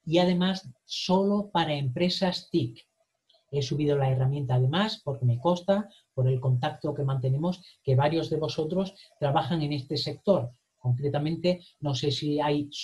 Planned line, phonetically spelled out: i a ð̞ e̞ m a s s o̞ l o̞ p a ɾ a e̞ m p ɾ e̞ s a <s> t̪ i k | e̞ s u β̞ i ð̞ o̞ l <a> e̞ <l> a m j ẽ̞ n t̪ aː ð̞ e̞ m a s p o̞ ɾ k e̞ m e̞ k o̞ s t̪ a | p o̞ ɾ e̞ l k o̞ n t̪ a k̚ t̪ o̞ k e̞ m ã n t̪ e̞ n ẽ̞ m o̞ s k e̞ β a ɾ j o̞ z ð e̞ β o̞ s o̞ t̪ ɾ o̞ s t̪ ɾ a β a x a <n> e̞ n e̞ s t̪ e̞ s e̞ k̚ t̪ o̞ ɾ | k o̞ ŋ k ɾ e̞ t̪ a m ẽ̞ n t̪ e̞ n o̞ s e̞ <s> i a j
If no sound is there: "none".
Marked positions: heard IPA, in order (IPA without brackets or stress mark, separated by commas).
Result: s, a, r, ŋ, s